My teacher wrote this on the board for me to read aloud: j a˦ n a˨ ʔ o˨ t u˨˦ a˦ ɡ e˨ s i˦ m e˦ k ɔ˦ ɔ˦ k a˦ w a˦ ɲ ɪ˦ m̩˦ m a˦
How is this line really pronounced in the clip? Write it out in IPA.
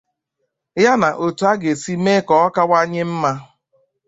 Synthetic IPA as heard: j a˦ n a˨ ʔ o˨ t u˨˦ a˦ ɡ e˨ s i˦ m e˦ k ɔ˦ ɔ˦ k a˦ w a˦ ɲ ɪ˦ m̩˦ m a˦